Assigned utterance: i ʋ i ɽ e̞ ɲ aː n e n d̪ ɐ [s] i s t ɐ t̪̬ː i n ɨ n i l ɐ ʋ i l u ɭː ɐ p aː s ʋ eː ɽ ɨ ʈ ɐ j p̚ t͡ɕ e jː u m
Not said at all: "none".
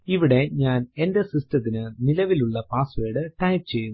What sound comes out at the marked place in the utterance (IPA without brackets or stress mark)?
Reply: s